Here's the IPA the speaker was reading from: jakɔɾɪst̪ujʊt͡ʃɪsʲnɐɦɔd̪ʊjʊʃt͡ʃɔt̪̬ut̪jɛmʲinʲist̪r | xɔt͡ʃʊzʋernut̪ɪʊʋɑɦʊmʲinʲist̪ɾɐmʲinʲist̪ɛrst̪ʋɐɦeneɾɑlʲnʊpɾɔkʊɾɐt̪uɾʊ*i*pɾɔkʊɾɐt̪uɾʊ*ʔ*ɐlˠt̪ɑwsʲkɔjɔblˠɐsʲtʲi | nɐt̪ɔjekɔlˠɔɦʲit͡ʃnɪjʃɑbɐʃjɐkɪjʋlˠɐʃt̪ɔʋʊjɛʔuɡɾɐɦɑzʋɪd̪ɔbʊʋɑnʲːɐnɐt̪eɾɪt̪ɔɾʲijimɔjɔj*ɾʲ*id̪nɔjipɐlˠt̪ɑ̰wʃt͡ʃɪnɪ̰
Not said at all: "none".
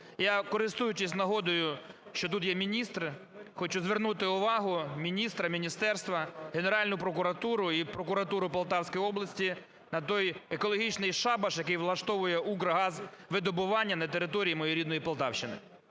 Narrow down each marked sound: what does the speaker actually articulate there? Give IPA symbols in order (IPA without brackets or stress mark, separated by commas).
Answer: i, p, ɾʲ